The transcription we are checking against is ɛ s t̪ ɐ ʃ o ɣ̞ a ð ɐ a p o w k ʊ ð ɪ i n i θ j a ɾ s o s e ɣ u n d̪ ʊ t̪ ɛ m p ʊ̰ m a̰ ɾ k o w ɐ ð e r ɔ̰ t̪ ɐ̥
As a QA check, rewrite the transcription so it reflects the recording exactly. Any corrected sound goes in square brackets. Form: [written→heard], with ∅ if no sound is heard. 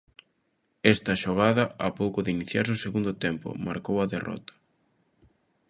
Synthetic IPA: ɛ s t̪ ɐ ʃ o ɣ̞ a ð ɐ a p o w k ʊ ð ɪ i n i θ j a ɾ s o s e ɣ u n d̪ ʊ t̪ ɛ m p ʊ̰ m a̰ ɾ k o w ɐ ð e r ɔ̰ t̪ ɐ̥